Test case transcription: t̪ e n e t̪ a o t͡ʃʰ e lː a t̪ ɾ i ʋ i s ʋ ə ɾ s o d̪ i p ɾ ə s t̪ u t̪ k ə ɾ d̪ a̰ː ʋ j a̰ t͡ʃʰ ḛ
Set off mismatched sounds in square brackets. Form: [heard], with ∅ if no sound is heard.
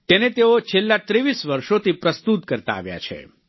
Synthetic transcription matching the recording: t̪ e n e t̪ [e] o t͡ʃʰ e lː a t̪ ɾ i ʋ i s ʋ ə ɾ [ʃ] o [t̪] i p ɾ ə s t̪ u t̪ k ə ɾ [t̪] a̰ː ʋ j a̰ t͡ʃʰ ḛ